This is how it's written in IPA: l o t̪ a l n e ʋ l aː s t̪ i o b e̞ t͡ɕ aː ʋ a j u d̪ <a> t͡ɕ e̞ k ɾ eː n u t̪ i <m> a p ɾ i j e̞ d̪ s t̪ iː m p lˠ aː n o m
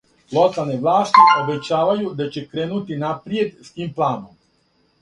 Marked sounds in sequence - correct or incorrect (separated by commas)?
correct, incorrect